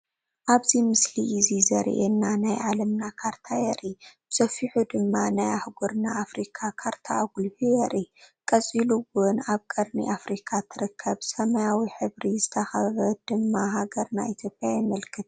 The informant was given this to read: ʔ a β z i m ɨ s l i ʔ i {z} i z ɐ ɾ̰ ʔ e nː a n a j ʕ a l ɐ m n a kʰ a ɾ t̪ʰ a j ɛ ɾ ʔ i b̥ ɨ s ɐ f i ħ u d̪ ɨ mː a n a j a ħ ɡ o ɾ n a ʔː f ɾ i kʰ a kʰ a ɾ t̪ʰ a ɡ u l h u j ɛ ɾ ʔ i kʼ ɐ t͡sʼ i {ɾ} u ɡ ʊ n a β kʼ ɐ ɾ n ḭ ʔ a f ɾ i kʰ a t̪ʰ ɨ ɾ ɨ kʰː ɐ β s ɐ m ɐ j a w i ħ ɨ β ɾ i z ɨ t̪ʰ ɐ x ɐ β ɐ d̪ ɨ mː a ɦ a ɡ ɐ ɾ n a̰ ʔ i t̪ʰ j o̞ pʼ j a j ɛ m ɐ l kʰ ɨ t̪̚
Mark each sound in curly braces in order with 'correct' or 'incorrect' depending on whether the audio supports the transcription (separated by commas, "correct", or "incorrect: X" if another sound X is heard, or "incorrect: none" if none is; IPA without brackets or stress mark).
correct, incorrect: l